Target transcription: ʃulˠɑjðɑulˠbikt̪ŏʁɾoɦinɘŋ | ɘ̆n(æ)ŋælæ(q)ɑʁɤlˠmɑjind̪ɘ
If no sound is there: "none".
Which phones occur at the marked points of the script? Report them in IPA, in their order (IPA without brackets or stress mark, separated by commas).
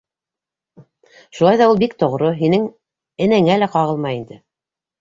æ, q